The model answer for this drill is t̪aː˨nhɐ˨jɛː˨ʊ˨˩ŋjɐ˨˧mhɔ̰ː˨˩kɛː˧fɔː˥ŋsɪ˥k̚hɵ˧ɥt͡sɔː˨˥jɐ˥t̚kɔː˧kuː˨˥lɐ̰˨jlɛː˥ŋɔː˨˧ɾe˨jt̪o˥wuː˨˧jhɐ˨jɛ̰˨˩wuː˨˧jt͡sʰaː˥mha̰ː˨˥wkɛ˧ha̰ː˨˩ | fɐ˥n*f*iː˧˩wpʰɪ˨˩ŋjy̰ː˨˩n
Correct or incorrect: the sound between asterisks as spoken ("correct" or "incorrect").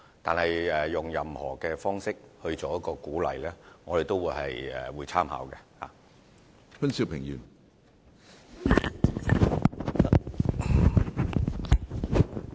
incorrect